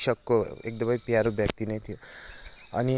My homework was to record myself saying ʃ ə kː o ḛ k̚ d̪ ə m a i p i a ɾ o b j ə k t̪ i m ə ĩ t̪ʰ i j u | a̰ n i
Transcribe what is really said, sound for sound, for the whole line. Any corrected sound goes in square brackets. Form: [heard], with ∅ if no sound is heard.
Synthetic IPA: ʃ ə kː o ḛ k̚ d̪ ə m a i p i a ɾ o b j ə k t̪ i [n] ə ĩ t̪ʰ i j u | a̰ n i